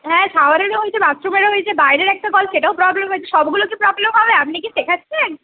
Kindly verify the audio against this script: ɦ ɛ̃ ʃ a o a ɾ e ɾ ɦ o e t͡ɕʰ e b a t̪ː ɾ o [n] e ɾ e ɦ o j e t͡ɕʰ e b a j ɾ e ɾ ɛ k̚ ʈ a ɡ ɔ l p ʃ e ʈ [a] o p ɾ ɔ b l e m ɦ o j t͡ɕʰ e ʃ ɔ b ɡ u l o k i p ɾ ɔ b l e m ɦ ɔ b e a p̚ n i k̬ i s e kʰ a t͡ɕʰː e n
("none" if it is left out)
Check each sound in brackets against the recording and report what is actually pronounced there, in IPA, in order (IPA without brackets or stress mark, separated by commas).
m, a